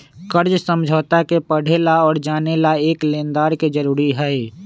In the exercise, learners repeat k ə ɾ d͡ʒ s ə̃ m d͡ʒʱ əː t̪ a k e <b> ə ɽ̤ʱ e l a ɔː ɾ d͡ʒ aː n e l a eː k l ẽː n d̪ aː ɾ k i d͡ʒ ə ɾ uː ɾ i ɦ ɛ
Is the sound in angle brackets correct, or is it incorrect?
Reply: incorrect